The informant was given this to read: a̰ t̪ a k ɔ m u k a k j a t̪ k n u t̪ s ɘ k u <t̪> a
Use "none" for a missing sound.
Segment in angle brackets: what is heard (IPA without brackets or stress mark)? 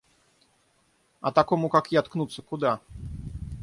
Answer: d̪